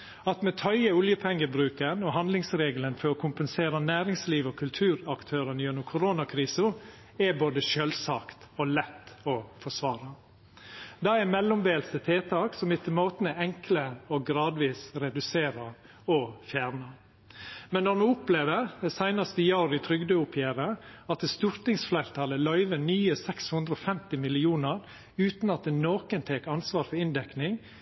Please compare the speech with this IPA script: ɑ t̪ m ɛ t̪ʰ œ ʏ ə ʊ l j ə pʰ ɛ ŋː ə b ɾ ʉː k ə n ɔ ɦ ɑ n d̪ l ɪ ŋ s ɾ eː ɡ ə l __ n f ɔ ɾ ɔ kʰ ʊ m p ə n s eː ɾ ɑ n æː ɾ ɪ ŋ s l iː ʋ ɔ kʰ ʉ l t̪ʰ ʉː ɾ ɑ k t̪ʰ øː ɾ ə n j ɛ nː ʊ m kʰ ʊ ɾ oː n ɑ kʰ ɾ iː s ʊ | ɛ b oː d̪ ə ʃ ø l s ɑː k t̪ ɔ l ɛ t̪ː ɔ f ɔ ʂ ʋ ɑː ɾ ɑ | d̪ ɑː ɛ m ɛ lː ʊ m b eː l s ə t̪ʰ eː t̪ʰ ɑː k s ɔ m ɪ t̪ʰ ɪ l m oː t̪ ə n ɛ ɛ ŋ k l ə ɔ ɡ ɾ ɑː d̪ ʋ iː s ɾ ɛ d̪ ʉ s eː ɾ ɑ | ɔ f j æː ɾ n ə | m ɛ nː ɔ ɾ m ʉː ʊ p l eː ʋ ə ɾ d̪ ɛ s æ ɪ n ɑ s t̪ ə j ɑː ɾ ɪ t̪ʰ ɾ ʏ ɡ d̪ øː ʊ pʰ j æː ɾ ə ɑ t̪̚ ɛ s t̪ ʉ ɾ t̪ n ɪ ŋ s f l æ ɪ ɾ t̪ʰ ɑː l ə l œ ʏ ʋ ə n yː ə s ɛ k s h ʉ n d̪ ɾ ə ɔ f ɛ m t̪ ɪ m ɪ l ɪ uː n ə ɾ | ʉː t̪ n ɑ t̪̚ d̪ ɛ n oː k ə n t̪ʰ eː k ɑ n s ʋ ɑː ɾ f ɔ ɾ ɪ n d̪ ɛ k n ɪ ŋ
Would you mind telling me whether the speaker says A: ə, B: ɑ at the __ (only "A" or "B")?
A